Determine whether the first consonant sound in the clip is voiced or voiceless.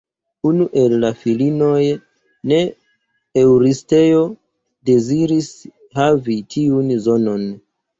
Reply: voiced